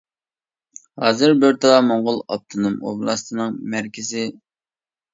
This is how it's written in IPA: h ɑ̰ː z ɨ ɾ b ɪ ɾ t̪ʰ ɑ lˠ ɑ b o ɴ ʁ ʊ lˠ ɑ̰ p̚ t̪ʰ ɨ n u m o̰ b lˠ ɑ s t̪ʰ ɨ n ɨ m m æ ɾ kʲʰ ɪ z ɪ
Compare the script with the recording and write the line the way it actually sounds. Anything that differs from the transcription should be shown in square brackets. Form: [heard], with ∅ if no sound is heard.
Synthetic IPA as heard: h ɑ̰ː z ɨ ɾ b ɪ ɾ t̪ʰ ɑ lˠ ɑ [m] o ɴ ʁ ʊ lˠ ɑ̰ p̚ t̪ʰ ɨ n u m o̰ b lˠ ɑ s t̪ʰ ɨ n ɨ [ŋ] m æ ɾ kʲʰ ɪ z ɪ